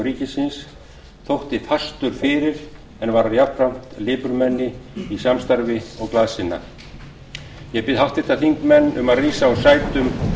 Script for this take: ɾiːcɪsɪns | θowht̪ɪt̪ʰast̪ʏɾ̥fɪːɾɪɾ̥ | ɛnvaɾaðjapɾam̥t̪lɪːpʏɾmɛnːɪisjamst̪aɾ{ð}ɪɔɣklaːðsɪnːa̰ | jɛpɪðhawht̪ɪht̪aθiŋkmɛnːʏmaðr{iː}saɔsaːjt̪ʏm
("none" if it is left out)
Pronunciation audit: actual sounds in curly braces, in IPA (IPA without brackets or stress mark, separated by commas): v, iː